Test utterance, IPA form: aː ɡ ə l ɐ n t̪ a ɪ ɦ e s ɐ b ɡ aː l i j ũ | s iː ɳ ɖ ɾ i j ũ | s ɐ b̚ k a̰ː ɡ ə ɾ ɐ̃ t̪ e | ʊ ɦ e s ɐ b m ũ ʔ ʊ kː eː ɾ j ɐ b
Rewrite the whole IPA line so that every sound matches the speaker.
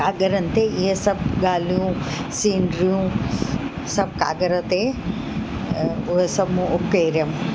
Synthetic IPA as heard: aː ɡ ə ɾ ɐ n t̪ e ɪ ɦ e s ɐ b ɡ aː l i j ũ | s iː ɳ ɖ ɾ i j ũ | s ɐ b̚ k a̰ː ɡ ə ɾ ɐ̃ t̪ e | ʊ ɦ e s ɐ b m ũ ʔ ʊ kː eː ɾ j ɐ m